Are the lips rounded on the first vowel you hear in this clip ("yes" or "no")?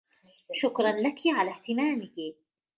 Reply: yes